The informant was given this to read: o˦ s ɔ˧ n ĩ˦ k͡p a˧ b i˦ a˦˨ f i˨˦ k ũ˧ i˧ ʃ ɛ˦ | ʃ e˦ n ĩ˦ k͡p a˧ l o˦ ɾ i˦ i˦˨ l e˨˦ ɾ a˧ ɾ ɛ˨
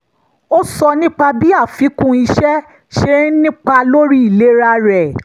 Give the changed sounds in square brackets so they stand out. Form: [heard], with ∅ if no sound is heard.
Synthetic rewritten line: o˦ s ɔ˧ n ĩ˦ k͡p a˧ b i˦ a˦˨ f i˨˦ k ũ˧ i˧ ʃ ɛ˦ | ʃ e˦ n ĩ˦ k͡p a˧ l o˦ ɾ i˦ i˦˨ l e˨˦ ɾ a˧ ɾ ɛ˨